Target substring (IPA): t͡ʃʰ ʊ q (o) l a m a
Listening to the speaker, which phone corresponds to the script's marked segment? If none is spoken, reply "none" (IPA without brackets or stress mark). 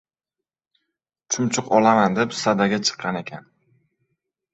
ɒ